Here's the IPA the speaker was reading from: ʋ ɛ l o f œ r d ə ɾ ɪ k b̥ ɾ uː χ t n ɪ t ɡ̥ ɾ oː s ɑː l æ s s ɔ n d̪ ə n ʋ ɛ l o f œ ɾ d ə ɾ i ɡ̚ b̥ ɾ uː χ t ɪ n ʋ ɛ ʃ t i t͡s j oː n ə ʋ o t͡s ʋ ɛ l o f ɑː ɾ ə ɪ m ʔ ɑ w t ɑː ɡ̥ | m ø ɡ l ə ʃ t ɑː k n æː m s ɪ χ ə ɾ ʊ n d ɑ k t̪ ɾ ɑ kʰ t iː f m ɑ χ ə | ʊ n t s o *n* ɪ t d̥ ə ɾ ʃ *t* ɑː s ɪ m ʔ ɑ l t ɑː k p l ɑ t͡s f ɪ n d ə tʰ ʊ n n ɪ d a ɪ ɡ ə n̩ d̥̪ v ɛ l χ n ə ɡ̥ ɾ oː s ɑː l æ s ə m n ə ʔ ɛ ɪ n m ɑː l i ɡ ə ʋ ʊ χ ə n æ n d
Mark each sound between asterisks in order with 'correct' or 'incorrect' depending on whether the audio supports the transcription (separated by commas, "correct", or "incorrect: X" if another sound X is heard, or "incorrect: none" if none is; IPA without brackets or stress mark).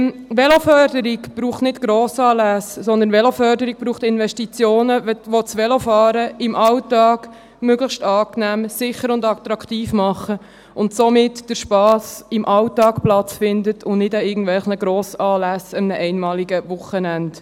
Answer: incorrect: m, incorrect: p